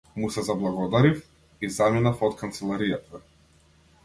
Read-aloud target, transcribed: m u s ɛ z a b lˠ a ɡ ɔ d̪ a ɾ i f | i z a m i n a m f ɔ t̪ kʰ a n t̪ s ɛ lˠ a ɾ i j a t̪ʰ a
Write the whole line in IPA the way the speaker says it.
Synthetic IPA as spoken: m u s ɛ z a b lˠ a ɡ ɔ d̪ a ɾ i f | i z a m i n a f ɔ t̪ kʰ a n t̪ s ɛ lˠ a ɾ i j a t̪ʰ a